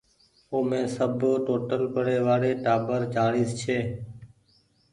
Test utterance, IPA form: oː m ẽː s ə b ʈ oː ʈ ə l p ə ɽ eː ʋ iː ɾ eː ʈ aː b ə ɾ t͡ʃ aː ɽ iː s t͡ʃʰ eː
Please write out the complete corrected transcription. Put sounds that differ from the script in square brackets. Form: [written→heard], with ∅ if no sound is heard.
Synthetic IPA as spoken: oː m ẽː s ə b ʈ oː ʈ ə l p ə ɽ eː ʋ [iː→aː] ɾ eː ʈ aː b ə ɾ t͡ʃ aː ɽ iː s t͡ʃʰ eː